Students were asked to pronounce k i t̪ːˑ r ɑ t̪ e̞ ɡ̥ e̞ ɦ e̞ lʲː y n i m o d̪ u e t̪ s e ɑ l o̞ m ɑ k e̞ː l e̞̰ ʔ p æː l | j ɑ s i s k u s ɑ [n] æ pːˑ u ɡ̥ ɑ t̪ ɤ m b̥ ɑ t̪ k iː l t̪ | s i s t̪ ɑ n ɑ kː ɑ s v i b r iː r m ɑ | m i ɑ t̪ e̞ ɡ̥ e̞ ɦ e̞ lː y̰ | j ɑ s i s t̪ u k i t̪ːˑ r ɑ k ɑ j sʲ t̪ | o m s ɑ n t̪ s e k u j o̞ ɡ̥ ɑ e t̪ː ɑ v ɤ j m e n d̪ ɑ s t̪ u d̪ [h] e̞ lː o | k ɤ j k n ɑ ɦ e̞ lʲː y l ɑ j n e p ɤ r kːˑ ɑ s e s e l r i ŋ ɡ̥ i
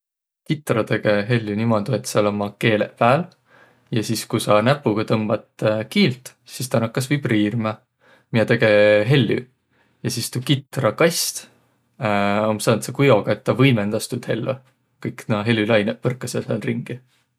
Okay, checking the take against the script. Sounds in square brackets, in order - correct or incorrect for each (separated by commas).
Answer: correct, correct